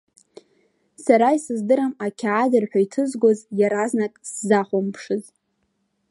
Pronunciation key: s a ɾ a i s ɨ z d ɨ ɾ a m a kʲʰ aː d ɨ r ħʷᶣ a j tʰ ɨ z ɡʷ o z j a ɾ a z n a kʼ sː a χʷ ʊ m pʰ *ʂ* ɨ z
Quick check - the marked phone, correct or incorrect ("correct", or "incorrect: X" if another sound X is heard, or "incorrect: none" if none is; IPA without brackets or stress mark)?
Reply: correct